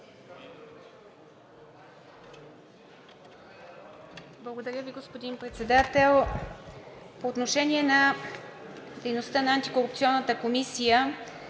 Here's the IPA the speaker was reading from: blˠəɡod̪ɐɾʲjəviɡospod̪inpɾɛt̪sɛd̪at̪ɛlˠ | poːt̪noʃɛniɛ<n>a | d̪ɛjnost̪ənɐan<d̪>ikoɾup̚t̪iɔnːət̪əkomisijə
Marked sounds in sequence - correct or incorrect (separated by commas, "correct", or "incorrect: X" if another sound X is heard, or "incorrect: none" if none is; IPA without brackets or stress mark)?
correct, incorrect: t̪